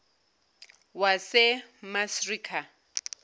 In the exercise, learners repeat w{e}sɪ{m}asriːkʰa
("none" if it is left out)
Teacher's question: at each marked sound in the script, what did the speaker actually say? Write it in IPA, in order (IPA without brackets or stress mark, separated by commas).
a, m